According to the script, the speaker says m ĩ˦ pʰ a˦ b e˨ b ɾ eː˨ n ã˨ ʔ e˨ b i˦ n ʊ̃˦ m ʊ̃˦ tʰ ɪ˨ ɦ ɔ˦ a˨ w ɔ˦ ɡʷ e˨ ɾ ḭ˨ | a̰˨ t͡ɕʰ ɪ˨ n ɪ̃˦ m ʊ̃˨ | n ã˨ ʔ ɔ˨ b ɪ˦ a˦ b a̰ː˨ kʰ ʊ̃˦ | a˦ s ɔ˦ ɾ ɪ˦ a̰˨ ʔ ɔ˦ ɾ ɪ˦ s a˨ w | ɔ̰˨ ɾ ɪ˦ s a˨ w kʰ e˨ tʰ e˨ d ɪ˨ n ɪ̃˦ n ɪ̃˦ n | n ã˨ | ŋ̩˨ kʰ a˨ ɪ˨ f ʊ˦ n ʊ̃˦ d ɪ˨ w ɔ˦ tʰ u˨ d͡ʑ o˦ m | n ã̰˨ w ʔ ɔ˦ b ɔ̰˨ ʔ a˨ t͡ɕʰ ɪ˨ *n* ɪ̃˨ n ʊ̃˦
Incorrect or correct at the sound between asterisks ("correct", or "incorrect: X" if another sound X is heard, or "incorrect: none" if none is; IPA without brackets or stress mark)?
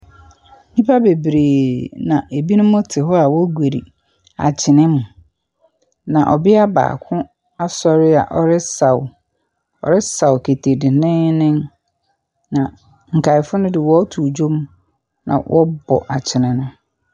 correct